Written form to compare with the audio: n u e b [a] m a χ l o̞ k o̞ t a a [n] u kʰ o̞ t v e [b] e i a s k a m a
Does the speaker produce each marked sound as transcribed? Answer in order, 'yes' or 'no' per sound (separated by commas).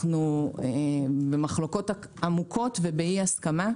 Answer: no, no, yes